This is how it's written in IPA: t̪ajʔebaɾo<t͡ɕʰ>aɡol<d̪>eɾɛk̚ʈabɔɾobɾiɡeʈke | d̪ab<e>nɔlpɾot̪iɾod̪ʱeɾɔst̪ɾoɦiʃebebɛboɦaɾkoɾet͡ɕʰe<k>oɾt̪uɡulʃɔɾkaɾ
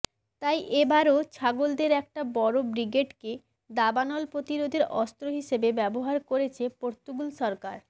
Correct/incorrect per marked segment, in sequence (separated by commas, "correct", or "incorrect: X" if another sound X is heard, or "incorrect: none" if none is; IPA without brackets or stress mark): correct, correct, incorrect: a, incorrect: p